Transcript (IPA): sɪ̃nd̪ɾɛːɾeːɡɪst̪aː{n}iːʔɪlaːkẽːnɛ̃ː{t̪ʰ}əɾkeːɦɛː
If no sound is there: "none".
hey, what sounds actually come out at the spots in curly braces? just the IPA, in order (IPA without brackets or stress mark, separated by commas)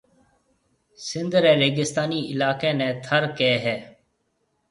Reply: n, t̪ʰ